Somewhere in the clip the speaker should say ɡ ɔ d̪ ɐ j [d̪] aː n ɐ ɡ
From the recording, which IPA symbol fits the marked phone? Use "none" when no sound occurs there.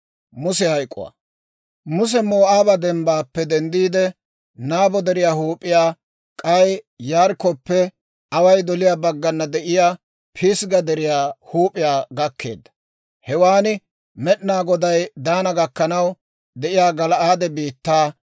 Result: d̪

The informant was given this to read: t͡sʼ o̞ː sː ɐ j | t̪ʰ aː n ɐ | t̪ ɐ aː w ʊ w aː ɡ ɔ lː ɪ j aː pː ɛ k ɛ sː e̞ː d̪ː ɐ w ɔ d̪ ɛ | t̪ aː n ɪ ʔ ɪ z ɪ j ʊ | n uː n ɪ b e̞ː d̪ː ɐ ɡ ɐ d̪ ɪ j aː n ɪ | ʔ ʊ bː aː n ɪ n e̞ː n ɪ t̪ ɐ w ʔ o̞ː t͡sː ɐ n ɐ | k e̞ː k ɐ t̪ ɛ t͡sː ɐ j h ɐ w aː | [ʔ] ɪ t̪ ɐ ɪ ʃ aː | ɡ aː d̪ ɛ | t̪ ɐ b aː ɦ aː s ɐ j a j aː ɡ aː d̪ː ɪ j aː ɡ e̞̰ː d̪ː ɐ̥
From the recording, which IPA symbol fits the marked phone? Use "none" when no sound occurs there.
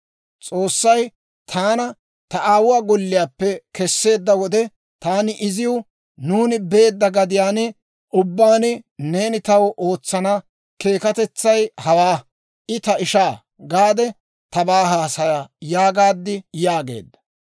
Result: ʔ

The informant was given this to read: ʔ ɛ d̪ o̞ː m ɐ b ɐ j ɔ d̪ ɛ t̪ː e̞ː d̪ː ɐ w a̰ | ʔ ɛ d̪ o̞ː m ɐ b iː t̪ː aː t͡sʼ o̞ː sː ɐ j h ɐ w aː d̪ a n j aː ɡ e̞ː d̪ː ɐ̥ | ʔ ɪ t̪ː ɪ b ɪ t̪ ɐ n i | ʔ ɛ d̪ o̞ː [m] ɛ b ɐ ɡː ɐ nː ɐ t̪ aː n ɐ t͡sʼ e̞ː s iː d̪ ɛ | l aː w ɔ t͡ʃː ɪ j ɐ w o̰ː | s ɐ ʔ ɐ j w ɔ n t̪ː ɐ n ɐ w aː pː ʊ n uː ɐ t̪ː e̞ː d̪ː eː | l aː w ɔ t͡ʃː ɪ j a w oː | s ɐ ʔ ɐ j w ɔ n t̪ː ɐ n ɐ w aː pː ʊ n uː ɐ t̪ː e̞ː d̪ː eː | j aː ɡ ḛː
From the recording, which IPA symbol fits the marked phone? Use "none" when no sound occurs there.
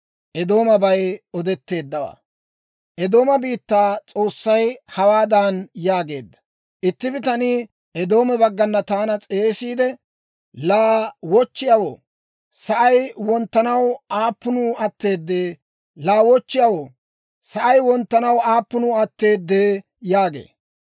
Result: m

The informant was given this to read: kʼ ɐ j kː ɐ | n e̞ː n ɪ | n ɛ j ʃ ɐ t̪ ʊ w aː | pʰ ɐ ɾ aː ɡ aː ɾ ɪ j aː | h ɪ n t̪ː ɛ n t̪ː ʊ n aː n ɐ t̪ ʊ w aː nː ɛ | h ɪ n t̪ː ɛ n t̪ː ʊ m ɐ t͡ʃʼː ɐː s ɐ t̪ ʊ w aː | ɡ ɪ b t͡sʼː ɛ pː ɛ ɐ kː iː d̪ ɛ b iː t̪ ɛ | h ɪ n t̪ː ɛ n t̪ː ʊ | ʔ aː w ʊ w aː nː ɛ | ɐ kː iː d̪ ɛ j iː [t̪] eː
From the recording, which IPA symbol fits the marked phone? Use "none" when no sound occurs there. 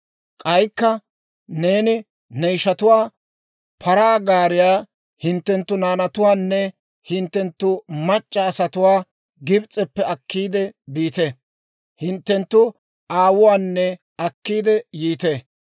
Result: t̪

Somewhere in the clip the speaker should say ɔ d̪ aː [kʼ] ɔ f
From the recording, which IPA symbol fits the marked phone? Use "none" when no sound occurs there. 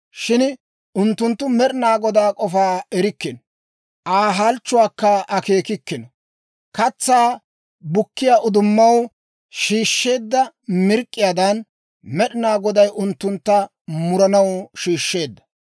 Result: kʼ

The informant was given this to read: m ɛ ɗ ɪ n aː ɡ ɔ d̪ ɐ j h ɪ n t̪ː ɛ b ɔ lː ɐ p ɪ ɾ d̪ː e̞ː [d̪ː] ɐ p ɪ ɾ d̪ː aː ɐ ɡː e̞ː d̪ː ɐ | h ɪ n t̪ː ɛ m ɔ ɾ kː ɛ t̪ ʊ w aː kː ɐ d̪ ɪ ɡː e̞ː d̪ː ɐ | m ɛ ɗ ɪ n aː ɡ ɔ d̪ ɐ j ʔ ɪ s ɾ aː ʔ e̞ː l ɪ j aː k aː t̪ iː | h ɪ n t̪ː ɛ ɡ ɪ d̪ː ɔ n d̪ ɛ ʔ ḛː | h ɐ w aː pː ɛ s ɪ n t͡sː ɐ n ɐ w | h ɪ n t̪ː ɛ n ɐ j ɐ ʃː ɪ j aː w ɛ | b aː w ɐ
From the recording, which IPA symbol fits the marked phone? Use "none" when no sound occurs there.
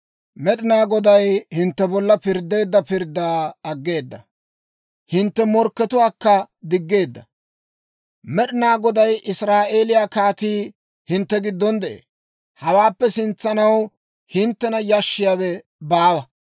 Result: d̪ː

